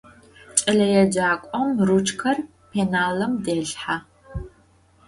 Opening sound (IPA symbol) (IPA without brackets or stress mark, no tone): t͡ʃʼ